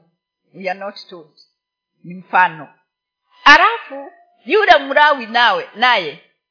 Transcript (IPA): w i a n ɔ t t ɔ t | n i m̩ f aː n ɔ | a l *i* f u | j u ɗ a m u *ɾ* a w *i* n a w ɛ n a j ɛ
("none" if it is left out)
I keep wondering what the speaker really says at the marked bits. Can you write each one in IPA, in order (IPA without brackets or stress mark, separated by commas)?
a, ɾ, i